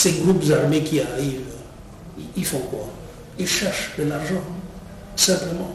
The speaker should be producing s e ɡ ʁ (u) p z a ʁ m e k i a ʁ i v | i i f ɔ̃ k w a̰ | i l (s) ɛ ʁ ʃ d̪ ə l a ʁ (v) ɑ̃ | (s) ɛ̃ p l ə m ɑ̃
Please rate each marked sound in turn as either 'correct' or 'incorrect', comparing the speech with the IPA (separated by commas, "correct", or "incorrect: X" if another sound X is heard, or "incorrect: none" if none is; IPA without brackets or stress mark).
correct, incorrect: ʃ, incorrect: ʒ, correct